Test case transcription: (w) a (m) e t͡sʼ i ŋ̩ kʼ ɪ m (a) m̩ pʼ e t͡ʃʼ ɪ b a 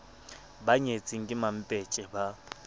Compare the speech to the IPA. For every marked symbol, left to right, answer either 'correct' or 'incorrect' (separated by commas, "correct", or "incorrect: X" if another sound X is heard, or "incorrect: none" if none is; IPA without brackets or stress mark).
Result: incorrect: b, incorrect: ɲ, correct